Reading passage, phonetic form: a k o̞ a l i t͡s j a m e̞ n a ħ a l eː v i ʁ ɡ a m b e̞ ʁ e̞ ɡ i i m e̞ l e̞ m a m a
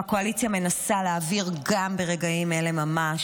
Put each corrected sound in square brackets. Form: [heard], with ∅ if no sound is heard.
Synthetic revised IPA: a k o̞ a l i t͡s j a m e̞ n a [s] a l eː v i ʁ ɡ a m b e̞ ʁ e̞ ɡ [a] i m e̞ l e̞ m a m a